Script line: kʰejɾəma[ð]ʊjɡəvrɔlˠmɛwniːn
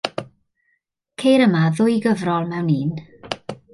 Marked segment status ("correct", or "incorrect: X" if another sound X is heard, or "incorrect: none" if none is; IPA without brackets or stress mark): correct